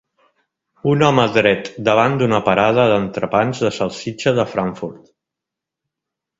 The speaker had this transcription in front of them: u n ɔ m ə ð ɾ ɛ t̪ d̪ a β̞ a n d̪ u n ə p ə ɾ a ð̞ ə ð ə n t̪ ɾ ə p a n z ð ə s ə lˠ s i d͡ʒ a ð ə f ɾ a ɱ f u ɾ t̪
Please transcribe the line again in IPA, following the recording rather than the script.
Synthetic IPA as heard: u n ɔ m ə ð ɾ ɛ t̪ d̪ ə β̞ a n d̪ u n ə p ə ɾ a ð̞ ə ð ə n t̪ ɾ ə p a n z ð ə s ə lˠ s i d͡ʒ ə ð ə f ɾ a ɱ f u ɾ t̪